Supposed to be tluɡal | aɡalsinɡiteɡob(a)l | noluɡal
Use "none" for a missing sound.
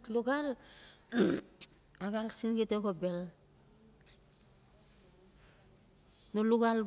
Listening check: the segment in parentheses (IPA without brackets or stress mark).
e